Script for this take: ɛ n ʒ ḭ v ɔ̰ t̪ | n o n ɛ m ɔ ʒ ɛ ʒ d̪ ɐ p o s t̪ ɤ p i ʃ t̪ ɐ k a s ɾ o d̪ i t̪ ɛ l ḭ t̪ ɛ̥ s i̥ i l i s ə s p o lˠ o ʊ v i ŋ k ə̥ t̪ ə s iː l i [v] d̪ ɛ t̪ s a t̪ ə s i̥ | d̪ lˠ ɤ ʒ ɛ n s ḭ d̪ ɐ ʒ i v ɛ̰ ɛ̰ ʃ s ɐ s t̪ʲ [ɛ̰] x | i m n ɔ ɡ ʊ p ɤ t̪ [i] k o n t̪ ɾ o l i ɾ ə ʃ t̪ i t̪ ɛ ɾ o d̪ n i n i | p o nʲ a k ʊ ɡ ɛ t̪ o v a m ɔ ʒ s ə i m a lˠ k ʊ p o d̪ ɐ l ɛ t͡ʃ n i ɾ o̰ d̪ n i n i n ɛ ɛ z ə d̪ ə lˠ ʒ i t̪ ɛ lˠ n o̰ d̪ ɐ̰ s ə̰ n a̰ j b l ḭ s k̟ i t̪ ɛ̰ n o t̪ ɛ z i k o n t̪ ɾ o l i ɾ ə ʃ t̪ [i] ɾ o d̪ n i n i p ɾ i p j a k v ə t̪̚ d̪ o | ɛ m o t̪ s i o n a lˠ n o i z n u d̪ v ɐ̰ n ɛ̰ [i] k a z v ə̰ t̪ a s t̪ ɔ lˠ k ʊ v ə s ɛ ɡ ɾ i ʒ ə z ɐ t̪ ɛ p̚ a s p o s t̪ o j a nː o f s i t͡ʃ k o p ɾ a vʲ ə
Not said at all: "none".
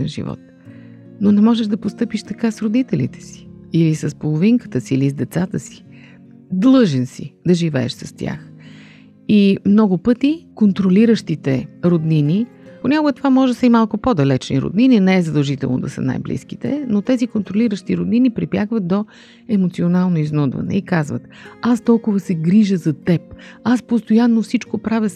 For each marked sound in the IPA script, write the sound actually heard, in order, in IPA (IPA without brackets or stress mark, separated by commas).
z, a̰, i, i, i